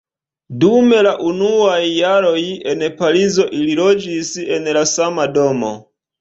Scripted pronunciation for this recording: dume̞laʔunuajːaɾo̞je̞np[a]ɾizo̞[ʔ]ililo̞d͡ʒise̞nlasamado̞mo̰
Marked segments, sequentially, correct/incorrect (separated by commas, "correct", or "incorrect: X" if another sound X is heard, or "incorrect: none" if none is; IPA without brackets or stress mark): correct, correct